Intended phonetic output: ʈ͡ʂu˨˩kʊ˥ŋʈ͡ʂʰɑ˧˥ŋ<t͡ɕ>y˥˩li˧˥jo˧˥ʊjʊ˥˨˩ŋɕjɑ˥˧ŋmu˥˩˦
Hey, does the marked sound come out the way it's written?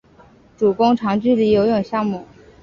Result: yes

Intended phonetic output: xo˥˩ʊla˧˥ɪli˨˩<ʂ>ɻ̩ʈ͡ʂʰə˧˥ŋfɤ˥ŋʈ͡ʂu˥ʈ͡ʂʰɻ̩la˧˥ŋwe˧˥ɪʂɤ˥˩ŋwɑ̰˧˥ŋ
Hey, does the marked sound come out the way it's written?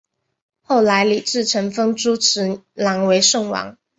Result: no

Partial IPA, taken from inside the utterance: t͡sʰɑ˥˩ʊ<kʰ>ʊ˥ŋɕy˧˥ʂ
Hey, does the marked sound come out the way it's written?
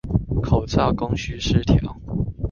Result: no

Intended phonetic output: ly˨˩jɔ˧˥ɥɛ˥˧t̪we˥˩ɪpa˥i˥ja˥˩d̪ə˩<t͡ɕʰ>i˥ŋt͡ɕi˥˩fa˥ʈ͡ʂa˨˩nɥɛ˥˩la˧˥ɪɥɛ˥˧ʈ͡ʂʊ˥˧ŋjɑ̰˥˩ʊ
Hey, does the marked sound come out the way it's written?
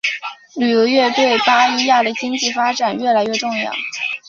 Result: no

